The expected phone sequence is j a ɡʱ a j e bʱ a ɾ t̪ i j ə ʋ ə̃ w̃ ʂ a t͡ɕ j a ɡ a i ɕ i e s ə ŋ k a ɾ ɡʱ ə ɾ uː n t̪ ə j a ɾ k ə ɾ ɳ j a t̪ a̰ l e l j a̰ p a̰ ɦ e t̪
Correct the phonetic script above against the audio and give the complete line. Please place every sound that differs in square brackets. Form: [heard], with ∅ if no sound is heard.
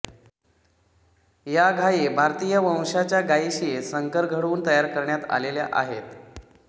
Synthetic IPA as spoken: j a ɡʱ a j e bʱ a ɾ t̪ i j ə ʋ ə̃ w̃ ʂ a t͡ɕ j a ɡ a i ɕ i e s ə ŋ k [ə] ɾ ɡʱ ə [ɽ] uː n t̪ ə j a ɾ k ə ɾ ɳ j a t̪ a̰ l e l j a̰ [ʔ] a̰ ɦ e t̪